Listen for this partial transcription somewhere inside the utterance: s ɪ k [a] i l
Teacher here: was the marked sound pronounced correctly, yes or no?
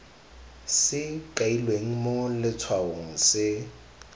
yes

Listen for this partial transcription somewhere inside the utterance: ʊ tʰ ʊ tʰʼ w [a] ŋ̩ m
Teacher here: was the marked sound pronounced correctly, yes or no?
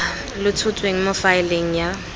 no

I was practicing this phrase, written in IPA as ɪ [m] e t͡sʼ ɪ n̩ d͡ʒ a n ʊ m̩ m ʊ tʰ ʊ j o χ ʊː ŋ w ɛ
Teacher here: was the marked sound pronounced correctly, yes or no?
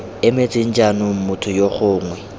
yes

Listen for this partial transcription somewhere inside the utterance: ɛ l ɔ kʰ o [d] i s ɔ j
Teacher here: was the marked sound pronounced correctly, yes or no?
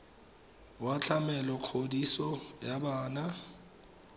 yes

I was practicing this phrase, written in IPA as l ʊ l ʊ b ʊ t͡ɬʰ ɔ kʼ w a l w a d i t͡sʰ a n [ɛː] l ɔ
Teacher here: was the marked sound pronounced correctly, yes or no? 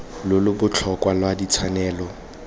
yes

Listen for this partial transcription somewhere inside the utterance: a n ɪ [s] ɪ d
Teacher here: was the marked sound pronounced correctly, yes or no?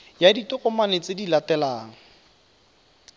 no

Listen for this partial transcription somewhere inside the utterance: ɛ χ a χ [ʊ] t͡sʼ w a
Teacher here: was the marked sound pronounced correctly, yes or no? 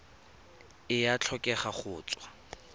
no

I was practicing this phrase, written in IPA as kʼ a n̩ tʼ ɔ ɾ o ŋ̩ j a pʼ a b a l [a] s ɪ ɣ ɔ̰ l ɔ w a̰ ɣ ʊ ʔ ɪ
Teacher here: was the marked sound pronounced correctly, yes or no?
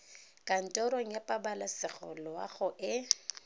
yes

